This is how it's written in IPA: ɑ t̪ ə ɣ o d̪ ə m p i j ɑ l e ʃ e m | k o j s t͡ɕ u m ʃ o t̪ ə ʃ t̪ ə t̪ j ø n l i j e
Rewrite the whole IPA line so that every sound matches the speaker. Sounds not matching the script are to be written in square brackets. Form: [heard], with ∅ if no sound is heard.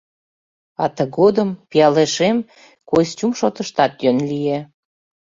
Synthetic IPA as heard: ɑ t̪ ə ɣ o d̪ ə m p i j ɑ l e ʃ e m | k o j s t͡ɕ u m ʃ o t̪ ə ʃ t̪ [ɑ] t̪ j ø n l i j e